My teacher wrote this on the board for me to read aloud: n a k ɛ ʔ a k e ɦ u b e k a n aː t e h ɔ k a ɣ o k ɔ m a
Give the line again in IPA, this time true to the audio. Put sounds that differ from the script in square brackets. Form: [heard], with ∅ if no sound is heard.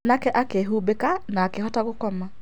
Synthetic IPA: n a k ɛ ʔ a k e ɦ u b e k a n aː [k] e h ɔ [t] a ɣ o k ɔ m a

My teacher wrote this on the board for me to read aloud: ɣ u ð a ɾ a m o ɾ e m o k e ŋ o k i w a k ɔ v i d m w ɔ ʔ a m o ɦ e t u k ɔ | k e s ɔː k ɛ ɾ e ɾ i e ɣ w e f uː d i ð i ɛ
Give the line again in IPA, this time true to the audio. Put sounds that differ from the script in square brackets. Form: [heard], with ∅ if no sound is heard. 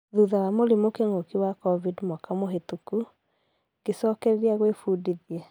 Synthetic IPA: [ð] u ð a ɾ a m o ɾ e m o k e ŋ o k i w a k ɔ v i d m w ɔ [k] a m o ɦ e t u k [u] | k e s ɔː k ɛ ɾ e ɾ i [a] ɣ w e f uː d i ð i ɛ

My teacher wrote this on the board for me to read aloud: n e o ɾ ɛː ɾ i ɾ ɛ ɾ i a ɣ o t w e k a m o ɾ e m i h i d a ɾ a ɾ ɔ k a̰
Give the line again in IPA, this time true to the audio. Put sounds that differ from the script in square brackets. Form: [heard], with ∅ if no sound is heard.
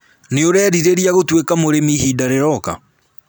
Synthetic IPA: n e o ɾ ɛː ɾ i ɾ [e] ɾ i a ɣ o t w e k a m o ɾ e m i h i d a ɾ [e] ɾ ɔ k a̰

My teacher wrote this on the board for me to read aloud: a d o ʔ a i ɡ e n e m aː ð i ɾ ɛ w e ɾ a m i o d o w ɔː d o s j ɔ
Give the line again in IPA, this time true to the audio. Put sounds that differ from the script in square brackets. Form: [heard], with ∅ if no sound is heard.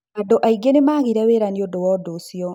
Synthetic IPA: a d o ʔ a i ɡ e n e m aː [ɣ] i ɾ ɛ w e ɾ a [n] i o d o w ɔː d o s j ɔ

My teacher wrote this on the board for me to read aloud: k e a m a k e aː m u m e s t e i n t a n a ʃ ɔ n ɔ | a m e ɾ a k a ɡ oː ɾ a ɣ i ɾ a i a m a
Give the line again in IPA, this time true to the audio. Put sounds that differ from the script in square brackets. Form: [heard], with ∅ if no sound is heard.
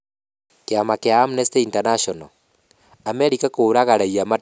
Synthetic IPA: k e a m a k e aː m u [n] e s t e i n t a n a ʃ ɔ n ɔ | a m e ɾ [i] k a [k] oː ɾ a ɣ [a] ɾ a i a m a

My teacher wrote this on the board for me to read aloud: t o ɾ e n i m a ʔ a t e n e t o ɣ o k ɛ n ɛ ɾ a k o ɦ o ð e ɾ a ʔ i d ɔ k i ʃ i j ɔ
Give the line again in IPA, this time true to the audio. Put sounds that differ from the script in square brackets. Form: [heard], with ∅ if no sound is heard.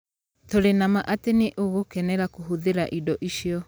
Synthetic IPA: t o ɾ e n [a] m a ʔ a t e n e [ʔ] o ɣ o k ɛ n ɛ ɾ a k o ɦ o ð e ɾ a ʔ i d ɔ [ʔ] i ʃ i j ɔ

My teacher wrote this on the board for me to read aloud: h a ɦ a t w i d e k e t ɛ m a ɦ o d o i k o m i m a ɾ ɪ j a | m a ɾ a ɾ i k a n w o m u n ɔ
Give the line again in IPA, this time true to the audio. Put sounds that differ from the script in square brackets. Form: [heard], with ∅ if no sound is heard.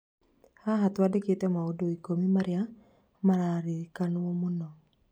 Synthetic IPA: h a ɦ a t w [a] d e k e t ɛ m a [∅] o d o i k o m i m a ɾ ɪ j a | m a ɾ a ɾ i k a n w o m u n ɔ

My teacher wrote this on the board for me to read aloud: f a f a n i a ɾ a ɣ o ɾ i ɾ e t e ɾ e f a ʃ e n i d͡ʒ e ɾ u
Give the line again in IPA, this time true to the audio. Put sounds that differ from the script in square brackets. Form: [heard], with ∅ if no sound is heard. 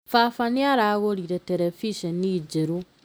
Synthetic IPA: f a f a n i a ɾ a ɣ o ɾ i ɾ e t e ɾ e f [i] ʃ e n i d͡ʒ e ɾ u

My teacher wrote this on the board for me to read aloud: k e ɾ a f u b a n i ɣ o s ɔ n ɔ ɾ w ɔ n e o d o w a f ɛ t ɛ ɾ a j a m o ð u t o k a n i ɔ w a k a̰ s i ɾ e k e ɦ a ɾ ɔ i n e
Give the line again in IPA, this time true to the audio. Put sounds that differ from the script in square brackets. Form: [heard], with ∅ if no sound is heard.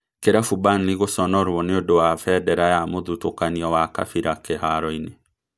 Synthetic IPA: k e ɾ a f u b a n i ɣ o s ɔ n ɔ ɾ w ɔ n e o d o w a f ɛ [d] ɛ ɾ a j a m o ð u t o k a n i ɔ w a k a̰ [f] i ɾ [a] k e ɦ a ɾ ɔ i n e

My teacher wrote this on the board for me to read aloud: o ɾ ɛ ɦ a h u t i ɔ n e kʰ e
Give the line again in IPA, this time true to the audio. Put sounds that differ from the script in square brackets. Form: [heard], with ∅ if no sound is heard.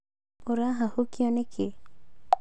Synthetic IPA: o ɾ [a] ɦ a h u [k] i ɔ n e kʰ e

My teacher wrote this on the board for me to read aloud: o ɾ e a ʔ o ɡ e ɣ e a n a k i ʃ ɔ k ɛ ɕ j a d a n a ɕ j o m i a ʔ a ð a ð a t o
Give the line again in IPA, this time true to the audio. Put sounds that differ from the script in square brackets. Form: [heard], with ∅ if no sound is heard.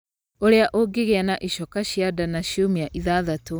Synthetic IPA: o ɾ e a ʔ o ɡ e ɣ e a n a [ʔ] i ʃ ɔ k [a] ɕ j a d a n a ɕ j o m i a ʔ [i] ð a ð a t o

